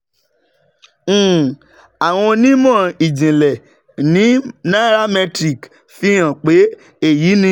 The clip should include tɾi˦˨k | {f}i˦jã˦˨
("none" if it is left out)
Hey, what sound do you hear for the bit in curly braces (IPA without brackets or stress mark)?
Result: f